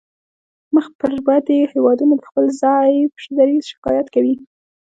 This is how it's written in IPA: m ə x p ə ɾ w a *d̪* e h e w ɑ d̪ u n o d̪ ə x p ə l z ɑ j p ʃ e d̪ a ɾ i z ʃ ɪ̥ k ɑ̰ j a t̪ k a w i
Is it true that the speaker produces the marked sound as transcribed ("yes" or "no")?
yes